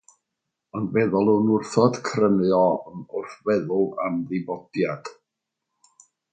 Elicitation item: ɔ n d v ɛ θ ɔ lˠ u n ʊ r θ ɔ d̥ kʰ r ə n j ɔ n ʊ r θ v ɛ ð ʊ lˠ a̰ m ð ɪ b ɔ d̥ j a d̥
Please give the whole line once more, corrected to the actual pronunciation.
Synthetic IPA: ɔ n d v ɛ ð ɔ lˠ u n ʊ r θ ɔ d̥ kʰ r ə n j ɔ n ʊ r θ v ɛ ð ʊ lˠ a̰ m ð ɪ b ɔ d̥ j a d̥